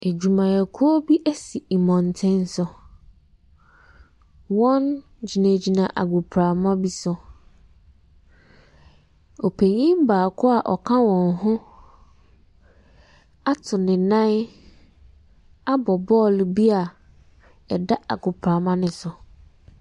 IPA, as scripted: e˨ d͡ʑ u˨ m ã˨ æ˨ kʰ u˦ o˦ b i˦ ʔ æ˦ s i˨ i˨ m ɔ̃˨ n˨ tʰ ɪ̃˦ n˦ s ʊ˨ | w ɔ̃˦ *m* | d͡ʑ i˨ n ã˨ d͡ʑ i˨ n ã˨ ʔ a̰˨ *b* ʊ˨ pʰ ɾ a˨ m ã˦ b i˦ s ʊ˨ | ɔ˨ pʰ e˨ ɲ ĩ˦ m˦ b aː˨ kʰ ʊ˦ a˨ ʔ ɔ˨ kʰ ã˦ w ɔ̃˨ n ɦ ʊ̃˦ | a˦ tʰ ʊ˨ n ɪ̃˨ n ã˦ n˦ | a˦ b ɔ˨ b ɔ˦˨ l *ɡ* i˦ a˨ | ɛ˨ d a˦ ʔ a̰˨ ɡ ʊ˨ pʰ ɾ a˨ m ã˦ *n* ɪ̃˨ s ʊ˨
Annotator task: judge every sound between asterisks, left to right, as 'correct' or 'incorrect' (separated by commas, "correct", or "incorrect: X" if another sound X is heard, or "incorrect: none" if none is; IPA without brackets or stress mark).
incorrect: n, incorrect: ɡ, incorrect: b, correct